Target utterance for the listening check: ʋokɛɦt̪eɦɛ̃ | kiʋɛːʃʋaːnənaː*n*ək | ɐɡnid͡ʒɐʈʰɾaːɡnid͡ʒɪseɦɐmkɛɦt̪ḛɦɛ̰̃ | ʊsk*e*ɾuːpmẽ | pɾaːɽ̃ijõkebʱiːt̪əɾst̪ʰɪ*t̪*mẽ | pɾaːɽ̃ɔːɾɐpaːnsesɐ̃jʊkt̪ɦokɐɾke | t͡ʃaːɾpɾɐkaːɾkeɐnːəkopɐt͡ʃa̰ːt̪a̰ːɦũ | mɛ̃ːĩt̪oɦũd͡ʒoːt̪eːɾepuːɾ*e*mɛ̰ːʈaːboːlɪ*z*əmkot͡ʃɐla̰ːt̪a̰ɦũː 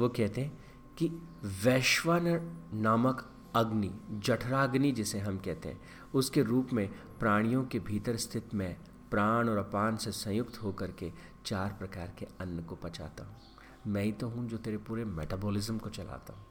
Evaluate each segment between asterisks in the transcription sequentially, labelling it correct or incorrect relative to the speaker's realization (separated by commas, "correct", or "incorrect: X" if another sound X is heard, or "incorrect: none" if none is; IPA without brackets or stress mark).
incorrect: m, correct, correct, correct, correct